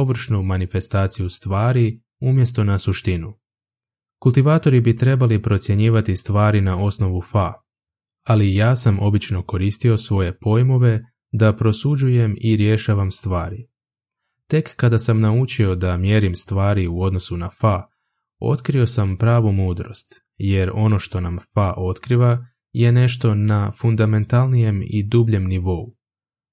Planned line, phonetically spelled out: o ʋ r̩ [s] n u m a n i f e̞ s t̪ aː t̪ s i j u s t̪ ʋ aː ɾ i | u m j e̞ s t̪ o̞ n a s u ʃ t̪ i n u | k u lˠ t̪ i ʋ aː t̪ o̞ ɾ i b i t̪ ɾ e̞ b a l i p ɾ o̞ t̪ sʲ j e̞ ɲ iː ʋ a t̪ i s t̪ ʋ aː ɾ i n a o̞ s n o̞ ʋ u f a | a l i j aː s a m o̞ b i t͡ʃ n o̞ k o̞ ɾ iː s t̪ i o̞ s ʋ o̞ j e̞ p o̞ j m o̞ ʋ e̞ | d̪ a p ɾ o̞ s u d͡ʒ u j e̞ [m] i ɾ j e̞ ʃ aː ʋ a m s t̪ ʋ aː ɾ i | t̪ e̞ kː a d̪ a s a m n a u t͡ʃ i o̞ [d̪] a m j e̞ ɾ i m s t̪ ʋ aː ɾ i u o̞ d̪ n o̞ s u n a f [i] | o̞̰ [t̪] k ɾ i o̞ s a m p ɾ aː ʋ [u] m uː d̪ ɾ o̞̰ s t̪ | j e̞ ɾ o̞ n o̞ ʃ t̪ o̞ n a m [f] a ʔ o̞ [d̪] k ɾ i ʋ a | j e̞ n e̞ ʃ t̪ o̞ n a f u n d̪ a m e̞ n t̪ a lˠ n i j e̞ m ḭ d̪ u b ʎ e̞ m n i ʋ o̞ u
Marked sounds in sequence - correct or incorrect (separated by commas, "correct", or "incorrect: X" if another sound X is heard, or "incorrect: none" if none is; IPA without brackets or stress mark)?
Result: incorrect: ʃ, correct, correct, incorrect: a, correct, correct, correct, incorrect: t̪